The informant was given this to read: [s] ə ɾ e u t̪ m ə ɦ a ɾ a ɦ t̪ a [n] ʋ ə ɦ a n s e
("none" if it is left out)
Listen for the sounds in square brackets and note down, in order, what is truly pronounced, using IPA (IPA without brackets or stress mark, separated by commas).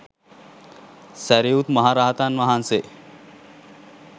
s, n